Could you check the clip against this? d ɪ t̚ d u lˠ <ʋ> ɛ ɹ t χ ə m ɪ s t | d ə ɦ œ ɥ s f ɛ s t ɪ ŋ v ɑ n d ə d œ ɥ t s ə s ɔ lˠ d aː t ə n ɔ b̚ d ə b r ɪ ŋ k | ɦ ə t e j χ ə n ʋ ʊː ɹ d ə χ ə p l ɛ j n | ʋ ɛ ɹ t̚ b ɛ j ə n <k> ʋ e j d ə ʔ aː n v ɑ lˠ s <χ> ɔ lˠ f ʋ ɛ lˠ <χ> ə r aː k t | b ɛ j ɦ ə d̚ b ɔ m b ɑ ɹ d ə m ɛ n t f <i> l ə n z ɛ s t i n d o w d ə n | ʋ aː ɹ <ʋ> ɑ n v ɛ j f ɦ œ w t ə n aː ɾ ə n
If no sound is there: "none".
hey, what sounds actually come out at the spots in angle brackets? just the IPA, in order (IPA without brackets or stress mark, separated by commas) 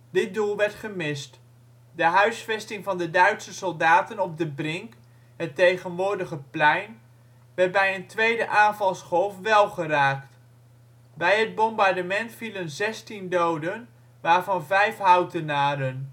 ʋ, t, χ, χ, i, v